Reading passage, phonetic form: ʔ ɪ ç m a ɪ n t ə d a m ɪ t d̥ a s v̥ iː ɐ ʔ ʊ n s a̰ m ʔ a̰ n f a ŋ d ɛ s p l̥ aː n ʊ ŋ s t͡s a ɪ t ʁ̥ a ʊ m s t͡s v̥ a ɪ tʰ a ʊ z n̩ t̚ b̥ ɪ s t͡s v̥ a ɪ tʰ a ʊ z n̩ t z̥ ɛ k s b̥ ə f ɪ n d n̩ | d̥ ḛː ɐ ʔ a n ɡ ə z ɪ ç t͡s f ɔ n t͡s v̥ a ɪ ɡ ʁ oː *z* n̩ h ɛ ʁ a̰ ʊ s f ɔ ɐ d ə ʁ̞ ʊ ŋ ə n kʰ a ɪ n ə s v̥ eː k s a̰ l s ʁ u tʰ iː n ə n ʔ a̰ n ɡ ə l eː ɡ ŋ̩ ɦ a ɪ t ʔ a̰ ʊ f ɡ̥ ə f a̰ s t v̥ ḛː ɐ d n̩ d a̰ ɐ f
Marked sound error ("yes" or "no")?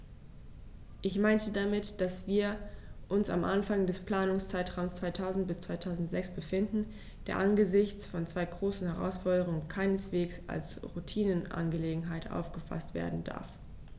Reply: yes